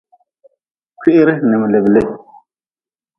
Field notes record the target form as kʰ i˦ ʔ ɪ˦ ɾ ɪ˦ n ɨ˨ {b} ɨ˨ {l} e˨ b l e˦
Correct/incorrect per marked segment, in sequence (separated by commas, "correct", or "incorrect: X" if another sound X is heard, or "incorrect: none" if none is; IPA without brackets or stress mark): incorrect: m, correct